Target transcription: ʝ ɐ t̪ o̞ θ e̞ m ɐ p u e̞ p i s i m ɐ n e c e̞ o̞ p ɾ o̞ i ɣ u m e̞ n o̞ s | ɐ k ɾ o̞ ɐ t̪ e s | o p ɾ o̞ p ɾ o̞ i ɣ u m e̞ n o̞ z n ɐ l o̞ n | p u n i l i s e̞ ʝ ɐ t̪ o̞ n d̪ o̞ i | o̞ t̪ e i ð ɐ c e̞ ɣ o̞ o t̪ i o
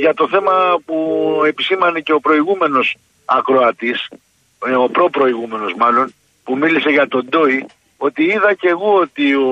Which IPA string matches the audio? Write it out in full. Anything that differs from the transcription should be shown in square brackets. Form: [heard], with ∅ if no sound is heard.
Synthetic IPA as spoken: ʝ ɐ t̪ o̞ θ e̞ m ɐ p u e̞ p i s i m ɐ n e c e̞ o̞ p ɾ o̞ i ɣ u m e̞ n o̞ s | ɐ k ɾ o̞ ɐ t̪ [i] s | o p ɾ o̞ p ɾ o̞ i ɣ u m e̞ n o̞ z [m] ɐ l o̞ n | p u [m] i l i s e̞ ʝ ɐ t̪ o̞ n d̪ o̞ i | o̞ t̪ [i] i ð ɐ c e̞ ɣ o̞ o t̪ i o